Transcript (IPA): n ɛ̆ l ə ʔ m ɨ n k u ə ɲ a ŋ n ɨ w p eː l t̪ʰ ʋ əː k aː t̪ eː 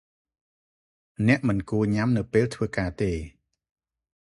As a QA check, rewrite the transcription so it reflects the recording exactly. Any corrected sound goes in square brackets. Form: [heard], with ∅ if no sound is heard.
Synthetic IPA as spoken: n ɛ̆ [∅] ə ʔ m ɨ n k u ə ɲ a [m] n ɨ w p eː l t̪ʰ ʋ əː k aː t̪ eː